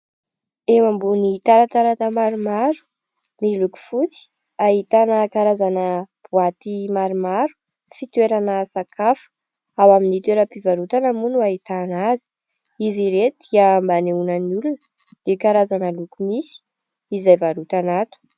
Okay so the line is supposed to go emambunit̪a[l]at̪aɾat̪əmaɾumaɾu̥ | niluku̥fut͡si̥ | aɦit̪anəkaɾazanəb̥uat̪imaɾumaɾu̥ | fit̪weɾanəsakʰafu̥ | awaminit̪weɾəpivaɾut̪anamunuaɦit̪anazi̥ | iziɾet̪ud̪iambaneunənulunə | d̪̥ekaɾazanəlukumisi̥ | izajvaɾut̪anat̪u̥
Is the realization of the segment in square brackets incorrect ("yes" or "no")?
yes